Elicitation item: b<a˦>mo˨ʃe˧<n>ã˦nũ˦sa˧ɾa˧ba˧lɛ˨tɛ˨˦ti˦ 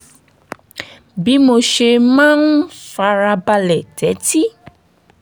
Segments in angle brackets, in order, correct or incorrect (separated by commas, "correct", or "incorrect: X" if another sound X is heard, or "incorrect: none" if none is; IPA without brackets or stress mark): incorrect: i˦, incorrect: m